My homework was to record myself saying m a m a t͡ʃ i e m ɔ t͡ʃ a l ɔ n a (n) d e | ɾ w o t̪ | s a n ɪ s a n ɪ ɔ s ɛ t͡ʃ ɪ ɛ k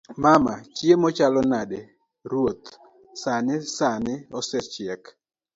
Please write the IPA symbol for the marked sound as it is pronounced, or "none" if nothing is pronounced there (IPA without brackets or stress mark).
none